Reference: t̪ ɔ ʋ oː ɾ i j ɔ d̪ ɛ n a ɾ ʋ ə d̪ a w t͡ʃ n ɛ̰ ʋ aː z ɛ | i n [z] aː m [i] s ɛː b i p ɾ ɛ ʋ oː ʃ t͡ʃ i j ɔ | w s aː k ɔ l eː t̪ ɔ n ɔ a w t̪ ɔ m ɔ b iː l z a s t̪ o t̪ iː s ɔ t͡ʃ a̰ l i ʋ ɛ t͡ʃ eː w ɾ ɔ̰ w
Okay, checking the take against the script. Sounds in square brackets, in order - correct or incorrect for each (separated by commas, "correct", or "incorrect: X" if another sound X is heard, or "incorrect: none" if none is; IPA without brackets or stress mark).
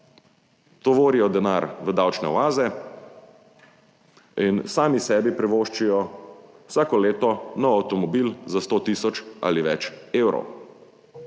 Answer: incorrect: s, correct